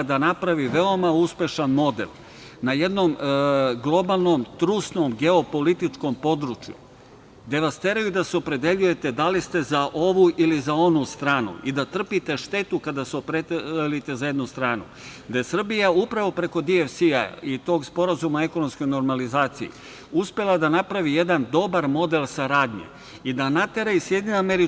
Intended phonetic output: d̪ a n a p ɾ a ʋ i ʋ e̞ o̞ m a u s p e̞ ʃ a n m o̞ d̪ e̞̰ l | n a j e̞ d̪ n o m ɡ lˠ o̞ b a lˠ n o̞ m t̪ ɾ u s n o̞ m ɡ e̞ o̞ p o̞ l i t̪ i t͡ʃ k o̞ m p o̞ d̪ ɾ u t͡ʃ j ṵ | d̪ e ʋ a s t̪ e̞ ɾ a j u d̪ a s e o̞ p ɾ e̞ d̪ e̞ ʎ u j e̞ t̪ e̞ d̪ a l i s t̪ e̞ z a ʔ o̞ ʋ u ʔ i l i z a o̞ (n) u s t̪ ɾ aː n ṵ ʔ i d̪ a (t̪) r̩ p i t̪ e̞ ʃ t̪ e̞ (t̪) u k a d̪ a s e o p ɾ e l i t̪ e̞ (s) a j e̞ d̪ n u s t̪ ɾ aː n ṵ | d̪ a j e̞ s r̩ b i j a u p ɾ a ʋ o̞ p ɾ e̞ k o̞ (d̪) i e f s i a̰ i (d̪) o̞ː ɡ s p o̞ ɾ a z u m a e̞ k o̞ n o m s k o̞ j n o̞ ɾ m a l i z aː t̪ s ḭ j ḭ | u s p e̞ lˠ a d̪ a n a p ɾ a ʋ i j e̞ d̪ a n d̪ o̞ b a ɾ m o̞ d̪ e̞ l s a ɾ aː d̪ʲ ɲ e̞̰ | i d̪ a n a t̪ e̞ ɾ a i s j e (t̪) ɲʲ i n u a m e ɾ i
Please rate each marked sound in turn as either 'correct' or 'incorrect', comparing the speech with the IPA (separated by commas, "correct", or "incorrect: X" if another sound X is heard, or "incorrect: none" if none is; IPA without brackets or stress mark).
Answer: correct, correct, correct, incorrect: z, correct, incorrect: t̪, incorrect: d̪